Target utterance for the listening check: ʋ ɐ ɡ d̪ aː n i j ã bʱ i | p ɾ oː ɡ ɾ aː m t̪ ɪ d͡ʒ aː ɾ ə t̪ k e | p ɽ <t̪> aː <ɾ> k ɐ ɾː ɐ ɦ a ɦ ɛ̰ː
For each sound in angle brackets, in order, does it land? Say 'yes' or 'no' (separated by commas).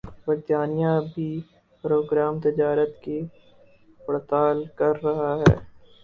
yes, no